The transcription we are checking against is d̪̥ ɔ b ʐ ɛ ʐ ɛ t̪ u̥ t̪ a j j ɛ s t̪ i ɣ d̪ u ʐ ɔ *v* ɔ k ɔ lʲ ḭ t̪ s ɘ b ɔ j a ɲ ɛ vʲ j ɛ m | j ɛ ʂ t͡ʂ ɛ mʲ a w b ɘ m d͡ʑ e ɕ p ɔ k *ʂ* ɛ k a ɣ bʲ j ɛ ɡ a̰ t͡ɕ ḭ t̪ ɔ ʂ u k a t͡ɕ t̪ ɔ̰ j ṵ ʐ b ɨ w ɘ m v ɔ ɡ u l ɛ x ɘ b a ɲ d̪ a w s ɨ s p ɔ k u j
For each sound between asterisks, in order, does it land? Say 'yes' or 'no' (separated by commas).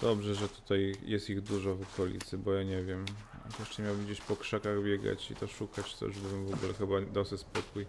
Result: yes, yes